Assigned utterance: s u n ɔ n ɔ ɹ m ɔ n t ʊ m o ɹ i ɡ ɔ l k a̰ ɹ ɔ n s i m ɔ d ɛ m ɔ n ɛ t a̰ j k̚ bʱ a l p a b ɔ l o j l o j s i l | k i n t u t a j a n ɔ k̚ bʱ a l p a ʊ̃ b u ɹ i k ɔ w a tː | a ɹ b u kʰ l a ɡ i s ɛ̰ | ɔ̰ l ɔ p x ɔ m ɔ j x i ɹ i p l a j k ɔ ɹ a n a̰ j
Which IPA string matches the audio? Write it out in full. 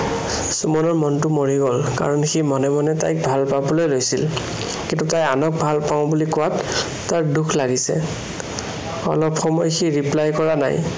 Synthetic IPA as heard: s u m ɔ n ɔ ɹ m ɔ n t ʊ m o ɹ i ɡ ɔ l k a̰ ɹ ɔ n x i m ɔ n ɛ m ɔ n ɛ t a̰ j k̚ bʱ a l p a b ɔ l o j l o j s i l | k i n t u t a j a n ɔ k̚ bʱ a l p a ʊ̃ b u l i k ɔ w a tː | a ɹ d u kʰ l a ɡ i s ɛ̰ | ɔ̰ l ɔ p x ɔ m ɔ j x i ɹ i p l a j k ɔ ɹ a n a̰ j